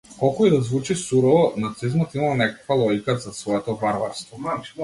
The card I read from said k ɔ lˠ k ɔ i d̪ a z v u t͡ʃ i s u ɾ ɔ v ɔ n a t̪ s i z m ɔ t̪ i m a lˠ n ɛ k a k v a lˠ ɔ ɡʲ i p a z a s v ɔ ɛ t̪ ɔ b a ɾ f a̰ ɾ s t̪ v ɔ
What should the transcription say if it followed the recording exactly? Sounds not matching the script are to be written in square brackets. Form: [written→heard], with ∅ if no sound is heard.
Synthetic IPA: k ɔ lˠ k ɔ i d̪ a z v u t͡ʃ i s u ɾ ɔ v ɔ n a t̪ s i z m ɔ t̪ i m a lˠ n ɛ k a k v a lˠ ɔ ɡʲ i [p→k] a z a s v ɔ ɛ t̪ ɔ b a ɾ [f→v] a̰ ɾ s t̪ v ɔ